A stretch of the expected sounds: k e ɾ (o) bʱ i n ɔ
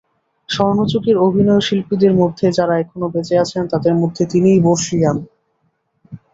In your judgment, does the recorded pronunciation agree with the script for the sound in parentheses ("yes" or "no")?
yes